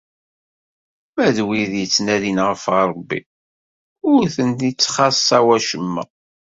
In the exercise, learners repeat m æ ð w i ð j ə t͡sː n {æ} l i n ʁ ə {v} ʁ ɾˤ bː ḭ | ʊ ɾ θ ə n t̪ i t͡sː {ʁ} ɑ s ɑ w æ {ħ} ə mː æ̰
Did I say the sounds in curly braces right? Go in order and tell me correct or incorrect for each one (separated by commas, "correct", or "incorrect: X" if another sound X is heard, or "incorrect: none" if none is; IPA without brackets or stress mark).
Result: correct, incorrect: f, incorrect: χ, incorrect: ʃ